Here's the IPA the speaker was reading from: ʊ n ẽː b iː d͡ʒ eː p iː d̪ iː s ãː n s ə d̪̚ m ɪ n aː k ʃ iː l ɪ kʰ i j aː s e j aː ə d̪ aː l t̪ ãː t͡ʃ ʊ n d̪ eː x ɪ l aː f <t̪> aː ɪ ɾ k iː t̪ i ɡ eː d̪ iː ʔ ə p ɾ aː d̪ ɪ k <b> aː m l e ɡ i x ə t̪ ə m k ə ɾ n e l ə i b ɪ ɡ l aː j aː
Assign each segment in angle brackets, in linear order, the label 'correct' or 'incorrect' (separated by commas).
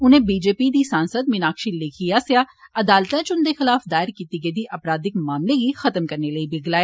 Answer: incorrect, incorrect